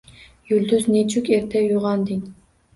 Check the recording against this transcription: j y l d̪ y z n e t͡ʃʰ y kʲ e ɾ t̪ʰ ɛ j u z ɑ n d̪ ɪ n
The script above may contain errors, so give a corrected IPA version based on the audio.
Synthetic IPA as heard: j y l d̪ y z n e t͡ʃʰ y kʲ e ɾ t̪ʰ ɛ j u ʁ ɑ n d̪ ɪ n